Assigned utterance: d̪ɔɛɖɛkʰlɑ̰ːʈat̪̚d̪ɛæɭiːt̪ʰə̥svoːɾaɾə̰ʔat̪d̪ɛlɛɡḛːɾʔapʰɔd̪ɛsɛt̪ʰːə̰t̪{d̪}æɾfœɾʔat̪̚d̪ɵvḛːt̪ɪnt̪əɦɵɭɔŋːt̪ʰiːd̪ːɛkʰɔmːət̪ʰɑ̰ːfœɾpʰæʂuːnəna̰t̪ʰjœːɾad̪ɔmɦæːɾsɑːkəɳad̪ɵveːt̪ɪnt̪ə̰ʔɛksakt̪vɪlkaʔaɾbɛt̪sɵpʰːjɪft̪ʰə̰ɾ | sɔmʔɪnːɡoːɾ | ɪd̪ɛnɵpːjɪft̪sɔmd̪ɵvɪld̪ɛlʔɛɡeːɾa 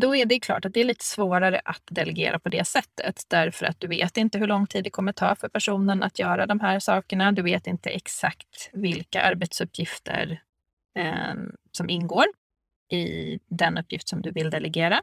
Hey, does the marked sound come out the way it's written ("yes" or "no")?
yes